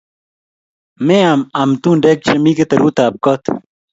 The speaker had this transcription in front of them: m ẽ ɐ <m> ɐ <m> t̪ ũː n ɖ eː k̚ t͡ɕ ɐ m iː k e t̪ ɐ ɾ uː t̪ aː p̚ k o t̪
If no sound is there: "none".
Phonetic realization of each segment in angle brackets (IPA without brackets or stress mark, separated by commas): m, m